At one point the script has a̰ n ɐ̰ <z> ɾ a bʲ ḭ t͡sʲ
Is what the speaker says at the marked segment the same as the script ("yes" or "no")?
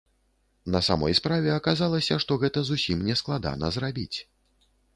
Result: yes